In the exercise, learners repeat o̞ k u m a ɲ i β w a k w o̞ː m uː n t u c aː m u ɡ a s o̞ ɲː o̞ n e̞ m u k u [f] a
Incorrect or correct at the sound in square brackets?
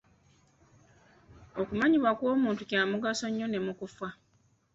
correct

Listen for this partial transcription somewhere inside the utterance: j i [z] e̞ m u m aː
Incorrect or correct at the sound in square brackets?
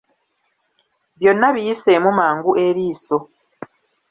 incorrect: s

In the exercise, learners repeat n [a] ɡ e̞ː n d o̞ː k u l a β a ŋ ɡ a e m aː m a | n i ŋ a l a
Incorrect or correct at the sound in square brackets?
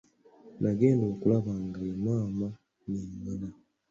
correct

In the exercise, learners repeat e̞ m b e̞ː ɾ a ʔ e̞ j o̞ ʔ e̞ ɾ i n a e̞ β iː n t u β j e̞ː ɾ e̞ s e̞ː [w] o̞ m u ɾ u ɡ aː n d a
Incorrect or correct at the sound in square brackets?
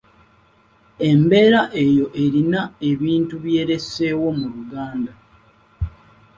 correct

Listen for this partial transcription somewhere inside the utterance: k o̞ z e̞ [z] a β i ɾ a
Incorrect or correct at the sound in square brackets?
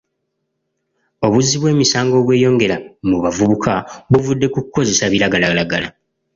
incorrect: s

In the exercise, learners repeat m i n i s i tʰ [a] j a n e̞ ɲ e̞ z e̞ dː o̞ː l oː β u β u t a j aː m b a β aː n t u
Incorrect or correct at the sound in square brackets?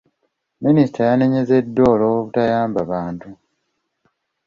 correct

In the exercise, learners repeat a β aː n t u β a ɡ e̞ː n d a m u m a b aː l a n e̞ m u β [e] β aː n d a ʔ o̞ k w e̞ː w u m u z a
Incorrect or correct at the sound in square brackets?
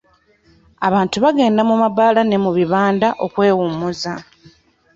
incorrect: i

